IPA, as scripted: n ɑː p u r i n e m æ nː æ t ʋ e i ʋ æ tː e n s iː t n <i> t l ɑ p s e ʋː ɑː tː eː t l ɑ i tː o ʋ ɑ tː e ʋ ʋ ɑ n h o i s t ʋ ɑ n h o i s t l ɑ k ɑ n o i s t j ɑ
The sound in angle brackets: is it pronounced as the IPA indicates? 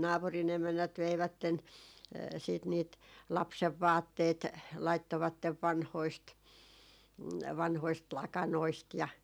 no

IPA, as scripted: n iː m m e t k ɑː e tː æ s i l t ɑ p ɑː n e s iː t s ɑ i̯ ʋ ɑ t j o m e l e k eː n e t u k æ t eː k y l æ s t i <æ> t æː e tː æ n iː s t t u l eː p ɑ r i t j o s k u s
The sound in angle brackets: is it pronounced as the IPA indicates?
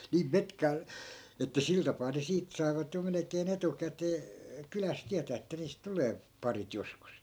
yes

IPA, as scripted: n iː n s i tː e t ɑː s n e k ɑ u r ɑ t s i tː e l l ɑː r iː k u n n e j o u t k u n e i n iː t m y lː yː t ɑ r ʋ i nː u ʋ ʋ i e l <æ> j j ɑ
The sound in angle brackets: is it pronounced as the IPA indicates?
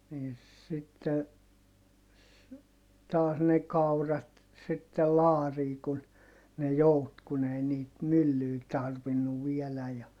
yes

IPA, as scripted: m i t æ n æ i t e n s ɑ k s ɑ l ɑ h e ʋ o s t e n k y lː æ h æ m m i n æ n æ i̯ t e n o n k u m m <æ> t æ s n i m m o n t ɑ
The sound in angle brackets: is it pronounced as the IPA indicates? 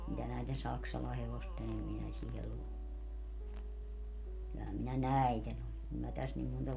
yes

